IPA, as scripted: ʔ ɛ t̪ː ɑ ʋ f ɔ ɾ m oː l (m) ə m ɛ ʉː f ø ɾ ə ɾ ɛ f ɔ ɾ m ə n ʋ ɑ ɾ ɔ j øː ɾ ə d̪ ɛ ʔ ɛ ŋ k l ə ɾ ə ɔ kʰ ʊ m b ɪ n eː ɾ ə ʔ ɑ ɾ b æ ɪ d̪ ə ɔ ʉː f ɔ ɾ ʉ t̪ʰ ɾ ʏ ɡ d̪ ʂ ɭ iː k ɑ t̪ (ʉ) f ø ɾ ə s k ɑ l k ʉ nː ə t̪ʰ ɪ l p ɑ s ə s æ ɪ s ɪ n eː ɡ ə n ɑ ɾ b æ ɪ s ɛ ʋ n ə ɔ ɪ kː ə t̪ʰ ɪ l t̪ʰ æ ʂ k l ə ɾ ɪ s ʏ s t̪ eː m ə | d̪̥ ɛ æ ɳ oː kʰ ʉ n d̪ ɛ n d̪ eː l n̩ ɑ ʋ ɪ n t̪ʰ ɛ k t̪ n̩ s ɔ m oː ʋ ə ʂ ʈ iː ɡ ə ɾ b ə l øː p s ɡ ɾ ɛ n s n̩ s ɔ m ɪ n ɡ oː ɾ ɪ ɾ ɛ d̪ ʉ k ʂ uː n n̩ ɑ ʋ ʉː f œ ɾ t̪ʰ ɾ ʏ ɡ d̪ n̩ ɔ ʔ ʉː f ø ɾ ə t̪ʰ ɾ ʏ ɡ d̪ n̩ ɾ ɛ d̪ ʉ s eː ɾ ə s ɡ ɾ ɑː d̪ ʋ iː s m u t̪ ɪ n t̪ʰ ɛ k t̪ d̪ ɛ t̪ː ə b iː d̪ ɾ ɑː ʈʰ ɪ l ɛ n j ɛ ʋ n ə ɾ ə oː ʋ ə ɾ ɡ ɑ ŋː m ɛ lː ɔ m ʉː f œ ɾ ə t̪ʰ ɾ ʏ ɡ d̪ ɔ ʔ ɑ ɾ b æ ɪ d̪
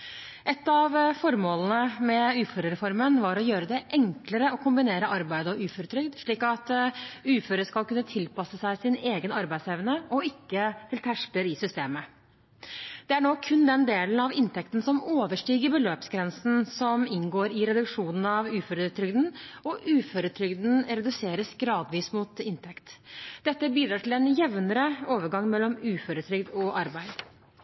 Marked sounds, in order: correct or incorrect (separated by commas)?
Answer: incorrect, incorrect